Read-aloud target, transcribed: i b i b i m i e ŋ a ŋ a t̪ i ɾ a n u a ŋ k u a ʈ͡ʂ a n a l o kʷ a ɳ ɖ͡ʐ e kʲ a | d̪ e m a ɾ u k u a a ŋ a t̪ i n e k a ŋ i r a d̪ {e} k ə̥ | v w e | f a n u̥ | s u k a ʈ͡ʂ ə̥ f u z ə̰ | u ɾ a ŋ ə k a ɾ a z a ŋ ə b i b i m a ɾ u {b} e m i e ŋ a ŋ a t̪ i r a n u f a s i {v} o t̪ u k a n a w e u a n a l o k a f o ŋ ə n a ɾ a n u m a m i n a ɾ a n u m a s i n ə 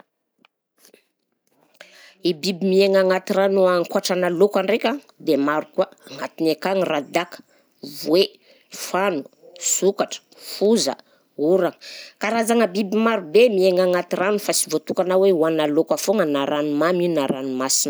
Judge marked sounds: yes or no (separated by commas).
no, yes, yes